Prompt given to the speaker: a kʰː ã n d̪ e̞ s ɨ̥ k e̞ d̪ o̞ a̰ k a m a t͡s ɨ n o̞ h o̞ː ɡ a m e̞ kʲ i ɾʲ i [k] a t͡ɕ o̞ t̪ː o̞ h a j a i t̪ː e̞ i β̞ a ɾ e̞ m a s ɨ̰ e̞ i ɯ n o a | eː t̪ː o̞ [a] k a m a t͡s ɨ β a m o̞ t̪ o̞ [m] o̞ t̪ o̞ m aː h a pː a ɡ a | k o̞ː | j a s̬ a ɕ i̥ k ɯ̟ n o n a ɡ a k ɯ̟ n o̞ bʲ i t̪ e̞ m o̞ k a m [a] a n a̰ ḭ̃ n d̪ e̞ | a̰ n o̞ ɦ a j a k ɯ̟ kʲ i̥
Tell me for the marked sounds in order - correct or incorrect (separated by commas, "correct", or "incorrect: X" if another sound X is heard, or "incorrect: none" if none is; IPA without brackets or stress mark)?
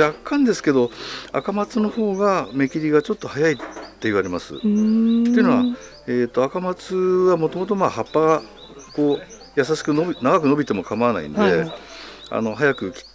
incorrect: ɡ, correct, correct, correct